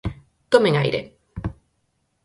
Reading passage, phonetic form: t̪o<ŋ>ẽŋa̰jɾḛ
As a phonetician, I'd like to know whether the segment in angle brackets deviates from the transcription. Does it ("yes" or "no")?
yes